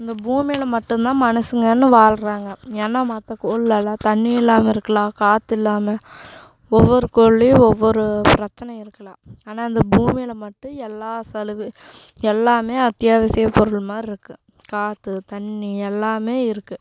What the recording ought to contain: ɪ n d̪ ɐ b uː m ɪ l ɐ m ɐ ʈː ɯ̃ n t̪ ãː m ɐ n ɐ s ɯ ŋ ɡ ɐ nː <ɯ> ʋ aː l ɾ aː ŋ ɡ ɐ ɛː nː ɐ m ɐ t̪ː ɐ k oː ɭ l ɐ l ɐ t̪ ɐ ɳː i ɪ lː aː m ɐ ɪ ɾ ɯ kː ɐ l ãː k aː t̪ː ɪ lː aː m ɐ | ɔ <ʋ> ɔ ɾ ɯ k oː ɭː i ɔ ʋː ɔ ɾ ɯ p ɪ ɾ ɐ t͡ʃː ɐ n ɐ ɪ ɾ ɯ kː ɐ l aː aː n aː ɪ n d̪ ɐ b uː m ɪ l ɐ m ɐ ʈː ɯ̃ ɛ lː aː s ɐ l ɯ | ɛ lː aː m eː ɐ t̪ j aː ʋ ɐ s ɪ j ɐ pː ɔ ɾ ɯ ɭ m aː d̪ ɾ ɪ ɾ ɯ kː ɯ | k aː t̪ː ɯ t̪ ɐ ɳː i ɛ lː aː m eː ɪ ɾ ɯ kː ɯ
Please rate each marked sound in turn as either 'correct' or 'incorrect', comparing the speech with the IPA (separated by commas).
correct, incorrect